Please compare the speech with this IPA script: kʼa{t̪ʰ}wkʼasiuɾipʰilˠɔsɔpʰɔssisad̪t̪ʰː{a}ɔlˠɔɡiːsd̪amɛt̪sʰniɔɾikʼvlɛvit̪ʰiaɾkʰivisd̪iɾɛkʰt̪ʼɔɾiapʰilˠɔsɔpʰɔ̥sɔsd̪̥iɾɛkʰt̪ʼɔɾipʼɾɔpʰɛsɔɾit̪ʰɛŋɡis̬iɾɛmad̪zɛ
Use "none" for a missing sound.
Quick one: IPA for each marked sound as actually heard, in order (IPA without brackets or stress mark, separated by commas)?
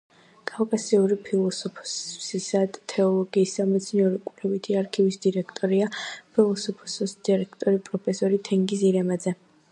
none, ɛ